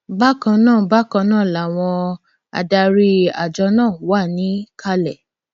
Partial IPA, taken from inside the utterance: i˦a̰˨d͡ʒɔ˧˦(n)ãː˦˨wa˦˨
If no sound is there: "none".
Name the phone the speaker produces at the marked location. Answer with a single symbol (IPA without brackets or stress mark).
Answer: n